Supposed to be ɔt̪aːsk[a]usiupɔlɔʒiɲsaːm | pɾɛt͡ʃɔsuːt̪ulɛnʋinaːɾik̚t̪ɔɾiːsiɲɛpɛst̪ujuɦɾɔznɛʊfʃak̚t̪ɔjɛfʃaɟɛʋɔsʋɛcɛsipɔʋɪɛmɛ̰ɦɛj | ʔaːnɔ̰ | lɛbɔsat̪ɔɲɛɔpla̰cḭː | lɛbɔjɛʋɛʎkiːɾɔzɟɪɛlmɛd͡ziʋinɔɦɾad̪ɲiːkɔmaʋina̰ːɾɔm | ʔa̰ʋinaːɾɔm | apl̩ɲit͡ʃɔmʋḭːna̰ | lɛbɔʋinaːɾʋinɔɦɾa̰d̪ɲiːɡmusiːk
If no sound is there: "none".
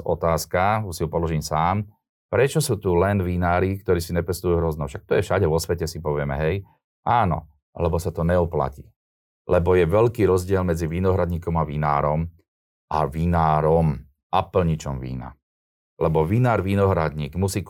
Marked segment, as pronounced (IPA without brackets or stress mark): a